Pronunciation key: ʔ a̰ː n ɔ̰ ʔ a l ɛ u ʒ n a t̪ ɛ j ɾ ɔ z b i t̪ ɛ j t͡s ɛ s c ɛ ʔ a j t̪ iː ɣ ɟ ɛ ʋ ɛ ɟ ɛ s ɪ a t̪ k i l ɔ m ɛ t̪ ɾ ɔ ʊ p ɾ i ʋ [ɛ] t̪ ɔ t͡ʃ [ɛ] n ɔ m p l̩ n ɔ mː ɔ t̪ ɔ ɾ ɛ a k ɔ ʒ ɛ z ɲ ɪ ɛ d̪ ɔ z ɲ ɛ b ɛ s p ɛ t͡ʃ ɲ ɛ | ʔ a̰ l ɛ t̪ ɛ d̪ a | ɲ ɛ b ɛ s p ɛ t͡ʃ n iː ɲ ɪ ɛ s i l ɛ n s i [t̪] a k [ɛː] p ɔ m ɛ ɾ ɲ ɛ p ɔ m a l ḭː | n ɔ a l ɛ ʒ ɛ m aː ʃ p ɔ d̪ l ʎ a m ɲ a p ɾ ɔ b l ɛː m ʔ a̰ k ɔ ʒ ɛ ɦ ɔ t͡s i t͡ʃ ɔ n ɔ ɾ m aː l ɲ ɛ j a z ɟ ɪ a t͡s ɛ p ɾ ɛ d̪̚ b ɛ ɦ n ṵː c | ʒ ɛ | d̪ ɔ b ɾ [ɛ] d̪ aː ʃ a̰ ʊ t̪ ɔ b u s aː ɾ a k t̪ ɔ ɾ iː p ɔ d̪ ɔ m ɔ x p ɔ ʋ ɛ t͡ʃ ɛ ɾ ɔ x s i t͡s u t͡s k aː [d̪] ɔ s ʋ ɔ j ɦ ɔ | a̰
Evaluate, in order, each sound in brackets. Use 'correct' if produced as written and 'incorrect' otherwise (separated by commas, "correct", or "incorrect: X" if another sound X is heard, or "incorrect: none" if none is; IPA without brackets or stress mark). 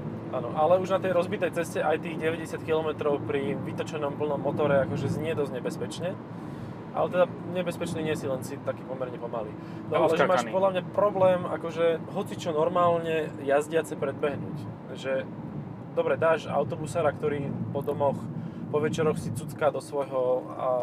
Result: incorrect: i, correct, correct, incorrect: iː, correct, correct